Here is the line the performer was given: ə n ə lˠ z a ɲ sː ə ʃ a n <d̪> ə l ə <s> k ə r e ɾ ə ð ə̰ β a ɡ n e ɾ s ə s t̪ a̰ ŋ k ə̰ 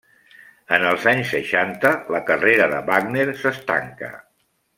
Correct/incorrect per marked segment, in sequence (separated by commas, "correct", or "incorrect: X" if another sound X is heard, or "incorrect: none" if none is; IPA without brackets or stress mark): incorrect: t̪, incorrect: none